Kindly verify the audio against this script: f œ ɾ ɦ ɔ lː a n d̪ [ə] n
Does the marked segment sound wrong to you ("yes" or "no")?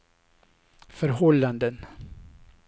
no